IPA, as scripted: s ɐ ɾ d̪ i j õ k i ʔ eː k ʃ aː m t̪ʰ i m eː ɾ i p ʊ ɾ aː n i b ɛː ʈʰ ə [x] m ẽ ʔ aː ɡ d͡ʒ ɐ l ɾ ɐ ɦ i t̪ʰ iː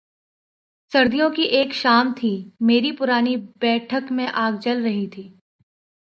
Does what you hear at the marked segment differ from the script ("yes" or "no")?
yes